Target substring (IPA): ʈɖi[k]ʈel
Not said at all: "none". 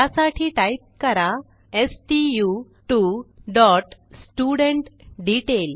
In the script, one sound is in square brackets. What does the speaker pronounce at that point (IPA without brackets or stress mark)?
none